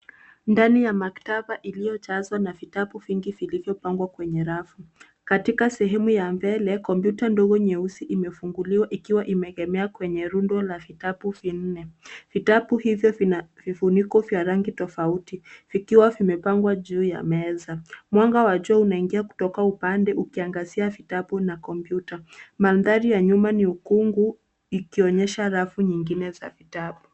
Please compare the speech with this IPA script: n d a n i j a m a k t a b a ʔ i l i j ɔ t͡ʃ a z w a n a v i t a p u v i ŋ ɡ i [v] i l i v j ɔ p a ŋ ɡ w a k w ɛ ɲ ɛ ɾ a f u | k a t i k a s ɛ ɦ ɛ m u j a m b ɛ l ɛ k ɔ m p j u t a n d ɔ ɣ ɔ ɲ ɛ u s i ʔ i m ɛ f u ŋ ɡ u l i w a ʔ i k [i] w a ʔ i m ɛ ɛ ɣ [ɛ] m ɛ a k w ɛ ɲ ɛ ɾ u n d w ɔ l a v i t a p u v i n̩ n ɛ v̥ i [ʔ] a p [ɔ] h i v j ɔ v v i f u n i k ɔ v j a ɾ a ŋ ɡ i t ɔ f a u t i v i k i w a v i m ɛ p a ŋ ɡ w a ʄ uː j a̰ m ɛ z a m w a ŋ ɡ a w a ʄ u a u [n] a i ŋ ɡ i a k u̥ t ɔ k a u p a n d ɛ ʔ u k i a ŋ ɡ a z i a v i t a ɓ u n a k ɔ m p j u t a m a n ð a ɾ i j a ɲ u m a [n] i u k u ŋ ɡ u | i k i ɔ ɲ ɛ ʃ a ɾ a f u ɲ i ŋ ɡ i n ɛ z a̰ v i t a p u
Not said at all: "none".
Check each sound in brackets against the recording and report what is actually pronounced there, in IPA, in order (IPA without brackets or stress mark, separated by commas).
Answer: v, i, ɛ, t, u, n, n